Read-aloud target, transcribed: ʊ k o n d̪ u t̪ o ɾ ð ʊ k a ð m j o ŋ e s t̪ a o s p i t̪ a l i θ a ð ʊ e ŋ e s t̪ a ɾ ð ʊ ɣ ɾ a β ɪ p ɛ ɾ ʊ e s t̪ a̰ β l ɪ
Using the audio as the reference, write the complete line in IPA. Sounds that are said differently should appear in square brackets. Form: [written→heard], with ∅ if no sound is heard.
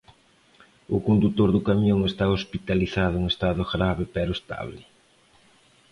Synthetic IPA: ʊ k o n d̪ u t̪ o ɾ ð ʊ k a [ð→∅] m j o ŋ e s t̪ a o s p i t̪ a l i θ a ð ʊ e ŋ e s t̪ a [ɾ→∅] ð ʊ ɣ ɾ a β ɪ p ɛ ɾ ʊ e s t̪ a̰ β l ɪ